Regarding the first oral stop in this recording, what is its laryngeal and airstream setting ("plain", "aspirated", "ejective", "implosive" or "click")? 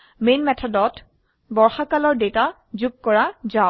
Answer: aspirated